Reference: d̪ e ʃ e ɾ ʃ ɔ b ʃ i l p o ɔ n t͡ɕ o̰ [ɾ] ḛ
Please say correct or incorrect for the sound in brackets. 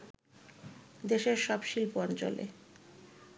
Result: incorrect